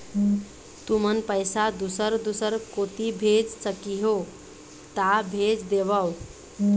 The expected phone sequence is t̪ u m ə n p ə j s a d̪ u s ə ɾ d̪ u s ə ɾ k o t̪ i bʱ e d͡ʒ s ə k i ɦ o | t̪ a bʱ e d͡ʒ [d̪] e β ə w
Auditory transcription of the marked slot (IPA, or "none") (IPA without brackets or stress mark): d̪